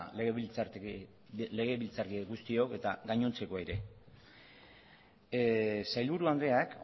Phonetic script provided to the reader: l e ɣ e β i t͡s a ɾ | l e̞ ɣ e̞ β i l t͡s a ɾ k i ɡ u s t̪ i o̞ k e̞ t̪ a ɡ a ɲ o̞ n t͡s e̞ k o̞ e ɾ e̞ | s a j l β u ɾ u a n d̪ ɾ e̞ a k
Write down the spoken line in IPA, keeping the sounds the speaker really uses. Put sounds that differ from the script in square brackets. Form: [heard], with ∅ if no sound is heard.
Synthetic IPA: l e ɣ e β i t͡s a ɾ | l e̞ ɣ e̞ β i l t͡s a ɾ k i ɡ u s t̪ i o̞ k e̞ t̪ a ɡ a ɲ o̞ n t͡s e̞ k o̞ e ɾ e̞ | s a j l β u ɾ u a n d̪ ɾ e̞ a k